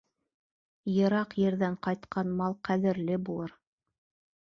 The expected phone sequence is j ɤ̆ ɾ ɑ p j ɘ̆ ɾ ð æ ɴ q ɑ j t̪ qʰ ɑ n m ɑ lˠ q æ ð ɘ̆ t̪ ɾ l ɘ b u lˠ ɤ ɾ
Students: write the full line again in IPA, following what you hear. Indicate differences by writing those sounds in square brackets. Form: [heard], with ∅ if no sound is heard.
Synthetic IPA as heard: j ɤ̆ ɾ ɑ [q] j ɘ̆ ɾ ð æ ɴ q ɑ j t̪ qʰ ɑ n m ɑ lˠ q æ ð ɘ̆ [∅] ɾ l ɘ b u lˠ ɤ ɾ